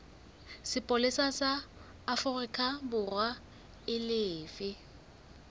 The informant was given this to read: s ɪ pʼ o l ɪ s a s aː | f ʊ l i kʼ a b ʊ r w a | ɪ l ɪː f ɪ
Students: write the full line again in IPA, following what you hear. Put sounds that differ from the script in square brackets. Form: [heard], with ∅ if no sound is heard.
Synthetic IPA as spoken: s ɪ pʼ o l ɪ s a s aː | f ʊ [r] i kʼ a b ʊ r w a | ɪ l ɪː f ɪ